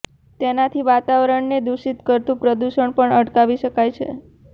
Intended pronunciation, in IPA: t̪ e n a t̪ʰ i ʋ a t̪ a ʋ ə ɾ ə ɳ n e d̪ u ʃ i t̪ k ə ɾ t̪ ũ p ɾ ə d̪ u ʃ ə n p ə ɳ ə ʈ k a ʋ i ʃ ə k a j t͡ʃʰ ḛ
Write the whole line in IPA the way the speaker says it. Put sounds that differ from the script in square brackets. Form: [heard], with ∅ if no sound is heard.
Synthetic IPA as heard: t̪ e n a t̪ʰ i ʋ a t̪ a ʋ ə ɾ ə ɳ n e d̪ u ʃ i t̪ k ə ɾ t̪ ũ p ɾ ə d̪ u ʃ ə [ɳ] p ə ɳ ə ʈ k a ʋ i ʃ ə k a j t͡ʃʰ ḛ